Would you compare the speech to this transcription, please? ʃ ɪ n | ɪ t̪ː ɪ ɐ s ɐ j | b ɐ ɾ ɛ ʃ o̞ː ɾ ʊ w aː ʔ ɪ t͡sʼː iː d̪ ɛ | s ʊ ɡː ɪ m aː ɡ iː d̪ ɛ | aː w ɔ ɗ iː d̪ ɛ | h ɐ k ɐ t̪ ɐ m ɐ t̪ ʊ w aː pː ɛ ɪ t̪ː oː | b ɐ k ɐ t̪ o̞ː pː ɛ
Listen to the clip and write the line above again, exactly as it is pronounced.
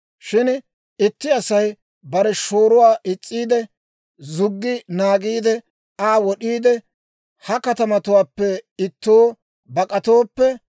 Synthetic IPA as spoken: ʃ ɪ n | ɪ t̪ː ɪ ɐ s ɐ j | b ɐ ɾ ɛ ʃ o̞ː ɾ ʊ w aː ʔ ɪ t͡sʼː iː d̪ ɛ | z ʊ ɡː ɪ n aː ɡ iː d̪ ɛ | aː w ɔ ɗ iː d̪ ɛ | h ɐ k ɐ t̪ ɐ m ɐ t̪ ʊ w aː pː ɛ ɪ t̪ː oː | b ɐ kʼ ɐ t̪ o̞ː pː ɛ